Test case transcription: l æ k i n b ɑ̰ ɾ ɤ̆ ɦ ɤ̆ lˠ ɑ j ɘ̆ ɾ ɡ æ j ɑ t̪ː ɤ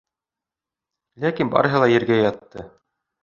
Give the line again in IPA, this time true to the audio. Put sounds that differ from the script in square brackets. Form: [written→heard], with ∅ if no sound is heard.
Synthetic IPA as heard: l æ k i n b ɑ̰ ɾ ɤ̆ ɦ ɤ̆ lˠ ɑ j ɘ̆ ɾ ɡ æ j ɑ t̪ː ɤ